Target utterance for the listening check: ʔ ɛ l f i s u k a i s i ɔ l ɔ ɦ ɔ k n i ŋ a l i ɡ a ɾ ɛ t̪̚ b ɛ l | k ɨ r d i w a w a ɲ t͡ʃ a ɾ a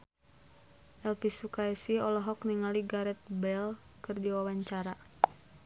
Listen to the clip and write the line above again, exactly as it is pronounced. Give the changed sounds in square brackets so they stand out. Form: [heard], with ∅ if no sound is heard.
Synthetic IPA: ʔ ɛ l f i s u k a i s i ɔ l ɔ ɦ ɔ k n i ŋ a l i ɡ a ɾ ɛ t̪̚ b ɛ l | k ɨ r d i w a w a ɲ t͡ʃ a ɾ a